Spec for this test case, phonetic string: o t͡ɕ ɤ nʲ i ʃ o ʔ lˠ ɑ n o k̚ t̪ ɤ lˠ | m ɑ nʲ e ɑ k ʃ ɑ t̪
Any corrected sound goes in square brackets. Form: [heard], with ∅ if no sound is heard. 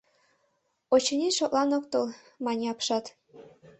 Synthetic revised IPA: o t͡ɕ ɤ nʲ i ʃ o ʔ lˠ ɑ n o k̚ t̪ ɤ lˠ | m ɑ nʲ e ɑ [p] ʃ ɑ t̪